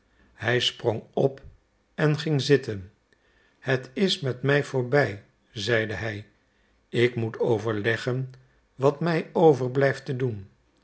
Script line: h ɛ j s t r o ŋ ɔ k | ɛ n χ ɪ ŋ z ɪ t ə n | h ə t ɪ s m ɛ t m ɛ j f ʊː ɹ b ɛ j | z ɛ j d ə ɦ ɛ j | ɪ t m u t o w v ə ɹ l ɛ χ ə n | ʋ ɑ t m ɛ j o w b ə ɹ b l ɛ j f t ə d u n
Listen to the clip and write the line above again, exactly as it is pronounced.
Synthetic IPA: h ɛ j s p r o ŋ ɔ p | ɛ n χ ɪ ŋ z ɪ t ə n | h ə t ɪ s m ɛ t m ɛ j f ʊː ɹ b ɛ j | z ɛ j d ə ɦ ɛ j | ɪ k m u t o w v ə ɹ l ɛ χ ə n | ʋ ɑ t m ɛ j o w v ə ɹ b l ɛ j f t ə d u n